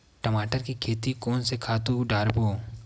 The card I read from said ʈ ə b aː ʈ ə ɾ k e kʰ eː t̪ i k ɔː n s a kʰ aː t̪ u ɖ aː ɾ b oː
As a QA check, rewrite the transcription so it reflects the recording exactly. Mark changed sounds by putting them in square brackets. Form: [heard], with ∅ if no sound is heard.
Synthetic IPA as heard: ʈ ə [m] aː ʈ ə ɾ k [i] kʰ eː t̪ i k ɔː n s [e] kʰ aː t̪ u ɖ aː ɾ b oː